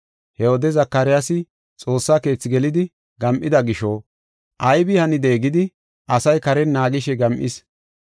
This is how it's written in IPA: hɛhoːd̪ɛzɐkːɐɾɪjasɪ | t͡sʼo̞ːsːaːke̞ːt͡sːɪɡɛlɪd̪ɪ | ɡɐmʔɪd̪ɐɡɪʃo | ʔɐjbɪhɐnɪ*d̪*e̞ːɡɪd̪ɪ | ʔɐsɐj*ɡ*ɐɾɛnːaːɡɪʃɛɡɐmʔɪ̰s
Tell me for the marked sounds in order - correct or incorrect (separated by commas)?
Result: correct, incorrect